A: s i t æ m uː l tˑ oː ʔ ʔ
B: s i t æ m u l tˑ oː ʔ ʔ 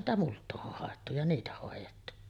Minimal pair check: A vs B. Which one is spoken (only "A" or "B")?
B